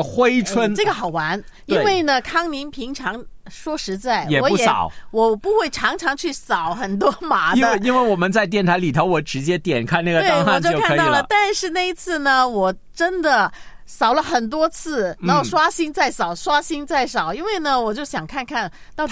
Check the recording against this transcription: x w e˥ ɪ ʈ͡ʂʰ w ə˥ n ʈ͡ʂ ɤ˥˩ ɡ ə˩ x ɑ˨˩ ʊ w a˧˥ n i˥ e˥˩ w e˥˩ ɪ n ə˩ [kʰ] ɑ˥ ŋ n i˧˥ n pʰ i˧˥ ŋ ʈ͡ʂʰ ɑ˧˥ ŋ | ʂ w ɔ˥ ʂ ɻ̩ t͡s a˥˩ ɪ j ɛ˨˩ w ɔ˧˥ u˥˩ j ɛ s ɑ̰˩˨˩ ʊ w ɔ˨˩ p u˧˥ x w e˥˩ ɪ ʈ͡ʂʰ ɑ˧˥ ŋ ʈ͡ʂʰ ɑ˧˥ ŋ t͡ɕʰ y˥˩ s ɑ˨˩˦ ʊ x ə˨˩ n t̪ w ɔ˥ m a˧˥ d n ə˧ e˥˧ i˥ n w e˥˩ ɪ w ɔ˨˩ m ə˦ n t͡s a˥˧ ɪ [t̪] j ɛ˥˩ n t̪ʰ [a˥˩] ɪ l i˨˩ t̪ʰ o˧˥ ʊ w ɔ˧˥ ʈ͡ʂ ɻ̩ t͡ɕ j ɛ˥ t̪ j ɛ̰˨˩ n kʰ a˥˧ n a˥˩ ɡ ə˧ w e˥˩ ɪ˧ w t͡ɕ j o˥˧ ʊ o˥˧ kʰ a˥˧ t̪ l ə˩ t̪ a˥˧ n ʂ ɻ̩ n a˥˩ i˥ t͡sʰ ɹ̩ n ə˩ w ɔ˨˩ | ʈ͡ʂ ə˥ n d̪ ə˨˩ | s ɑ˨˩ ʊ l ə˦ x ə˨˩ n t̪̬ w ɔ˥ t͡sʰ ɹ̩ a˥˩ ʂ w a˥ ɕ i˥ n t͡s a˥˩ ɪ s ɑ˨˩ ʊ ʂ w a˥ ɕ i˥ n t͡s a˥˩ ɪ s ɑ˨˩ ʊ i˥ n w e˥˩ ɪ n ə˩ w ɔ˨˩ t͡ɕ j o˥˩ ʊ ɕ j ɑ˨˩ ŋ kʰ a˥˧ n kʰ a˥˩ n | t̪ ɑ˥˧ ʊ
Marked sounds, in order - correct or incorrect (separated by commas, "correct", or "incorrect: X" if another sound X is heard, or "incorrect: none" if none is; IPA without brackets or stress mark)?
correct, correct, incorrect: a˧˥